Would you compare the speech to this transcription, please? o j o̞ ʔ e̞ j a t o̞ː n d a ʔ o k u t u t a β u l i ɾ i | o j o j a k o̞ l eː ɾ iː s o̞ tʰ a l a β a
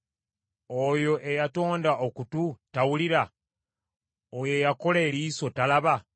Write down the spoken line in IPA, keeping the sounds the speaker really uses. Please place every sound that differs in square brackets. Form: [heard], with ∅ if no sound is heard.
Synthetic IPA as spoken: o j o̞ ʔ e̞ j a t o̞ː n d a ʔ o k u t u t a [w] u l i ɾ [a] | o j o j a k o̞ l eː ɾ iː s o̞ [t] a l a β a

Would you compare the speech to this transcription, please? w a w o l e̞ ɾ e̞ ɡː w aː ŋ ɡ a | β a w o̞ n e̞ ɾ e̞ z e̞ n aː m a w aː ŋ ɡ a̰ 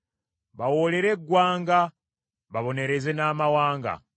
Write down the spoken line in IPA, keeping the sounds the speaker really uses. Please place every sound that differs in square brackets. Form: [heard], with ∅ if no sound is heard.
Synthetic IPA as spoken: [β] a w o l e̞ ɾ e̞ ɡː w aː ŋ ɡ a | β a [β] o̞ n e̞ ɾ e̞ z e̞ n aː m a w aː ŋ ɡ a̰

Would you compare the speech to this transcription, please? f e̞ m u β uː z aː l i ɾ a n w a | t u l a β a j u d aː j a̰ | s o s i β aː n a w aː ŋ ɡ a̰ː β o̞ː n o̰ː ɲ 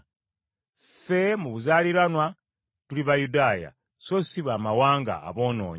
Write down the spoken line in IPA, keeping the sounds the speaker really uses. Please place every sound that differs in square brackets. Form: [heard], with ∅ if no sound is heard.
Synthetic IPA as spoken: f e̞ m u β [u] z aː l i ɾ a n w a | t u l [i] β a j u d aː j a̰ | s o s i β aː [m] a w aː ŋ ɡ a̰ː β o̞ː n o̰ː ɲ

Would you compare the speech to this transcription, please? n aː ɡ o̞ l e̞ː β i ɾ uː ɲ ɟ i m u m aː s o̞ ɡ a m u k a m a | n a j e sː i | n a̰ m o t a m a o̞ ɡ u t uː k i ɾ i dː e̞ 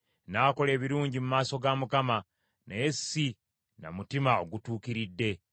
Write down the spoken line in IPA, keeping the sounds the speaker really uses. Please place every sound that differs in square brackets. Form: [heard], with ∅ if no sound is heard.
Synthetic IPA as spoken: n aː [k] o̞ l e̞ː β i ɾ uː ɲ ɟ i m u m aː s o̞ ɡ a m u k a m a | n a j e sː i | n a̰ m [u] t [i] m a o̞ ɡ u t uː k i ɾ i dː e̞

